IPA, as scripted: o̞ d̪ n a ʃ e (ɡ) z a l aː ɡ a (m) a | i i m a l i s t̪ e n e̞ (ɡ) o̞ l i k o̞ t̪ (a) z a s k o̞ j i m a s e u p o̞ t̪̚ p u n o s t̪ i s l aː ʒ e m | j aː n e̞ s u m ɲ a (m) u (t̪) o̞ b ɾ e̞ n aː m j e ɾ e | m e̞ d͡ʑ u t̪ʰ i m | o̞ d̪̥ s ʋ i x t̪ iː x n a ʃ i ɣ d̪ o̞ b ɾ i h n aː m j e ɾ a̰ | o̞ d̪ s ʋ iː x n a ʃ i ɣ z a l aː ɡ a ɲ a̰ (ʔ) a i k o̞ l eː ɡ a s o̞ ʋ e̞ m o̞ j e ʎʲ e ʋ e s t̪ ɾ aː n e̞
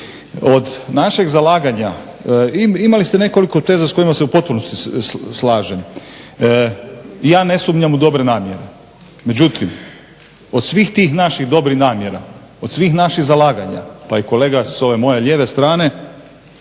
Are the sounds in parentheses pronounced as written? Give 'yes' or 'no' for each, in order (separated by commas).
yes, no, no, no, yes, no, no